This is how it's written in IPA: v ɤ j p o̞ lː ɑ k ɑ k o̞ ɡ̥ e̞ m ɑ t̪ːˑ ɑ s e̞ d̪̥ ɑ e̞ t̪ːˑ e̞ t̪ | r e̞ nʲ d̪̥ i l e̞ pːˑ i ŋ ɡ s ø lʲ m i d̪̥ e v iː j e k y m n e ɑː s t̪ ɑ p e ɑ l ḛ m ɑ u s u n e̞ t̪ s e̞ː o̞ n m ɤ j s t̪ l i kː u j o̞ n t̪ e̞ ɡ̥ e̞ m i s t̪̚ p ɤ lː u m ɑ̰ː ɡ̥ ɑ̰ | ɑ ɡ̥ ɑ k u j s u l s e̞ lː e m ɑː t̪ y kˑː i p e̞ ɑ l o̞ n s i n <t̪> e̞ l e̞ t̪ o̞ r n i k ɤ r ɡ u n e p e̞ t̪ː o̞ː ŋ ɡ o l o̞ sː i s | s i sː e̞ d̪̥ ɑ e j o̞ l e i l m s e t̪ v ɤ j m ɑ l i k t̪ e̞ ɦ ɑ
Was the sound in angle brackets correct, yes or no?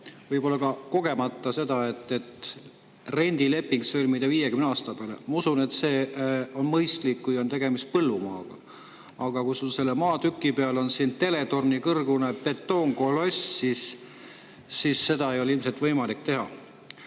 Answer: yes